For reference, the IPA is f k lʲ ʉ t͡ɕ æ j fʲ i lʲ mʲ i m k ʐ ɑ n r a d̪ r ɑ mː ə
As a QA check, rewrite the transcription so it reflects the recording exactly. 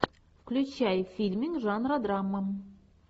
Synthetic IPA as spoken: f k lʲ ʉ t͡ɕ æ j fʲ i lʲ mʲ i ŋ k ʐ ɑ n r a d̪ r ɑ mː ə